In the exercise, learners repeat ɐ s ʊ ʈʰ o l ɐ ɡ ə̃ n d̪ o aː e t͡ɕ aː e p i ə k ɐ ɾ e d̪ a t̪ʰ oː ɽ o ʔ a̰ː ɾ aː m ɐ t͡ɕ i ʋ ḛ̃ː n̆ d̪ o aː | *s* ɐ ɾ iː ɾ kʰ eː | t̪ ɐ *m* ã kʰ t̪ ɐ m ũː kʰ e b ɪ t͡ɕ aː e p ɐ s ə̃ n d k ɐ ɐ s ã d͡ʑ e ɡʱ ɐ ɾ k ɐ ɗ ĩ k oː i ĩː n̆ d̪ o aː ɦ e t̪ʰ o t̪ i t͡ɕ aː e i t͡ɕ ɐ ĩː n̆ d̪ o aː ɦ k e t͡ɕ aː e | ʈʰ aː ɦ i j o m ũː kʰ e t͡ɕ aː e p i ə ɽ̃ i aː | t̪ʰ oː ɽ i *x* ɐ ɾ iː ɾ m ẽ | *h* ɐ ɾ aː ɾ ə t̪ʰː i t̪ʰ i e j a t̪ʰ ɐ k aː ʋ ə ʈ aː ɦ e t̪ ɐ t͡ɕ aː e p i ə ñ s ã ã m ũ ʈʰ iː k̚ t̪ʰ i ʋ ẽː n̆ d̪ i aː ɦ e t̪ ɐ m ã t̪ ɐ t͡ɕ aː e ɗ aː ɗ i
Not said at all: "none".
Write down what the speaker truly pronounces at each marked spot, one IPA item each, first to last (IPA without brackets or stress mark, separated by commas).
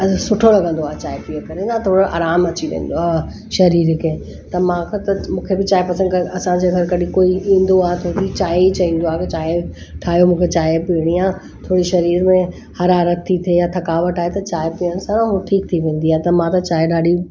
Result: ʃ, m, ʃ, h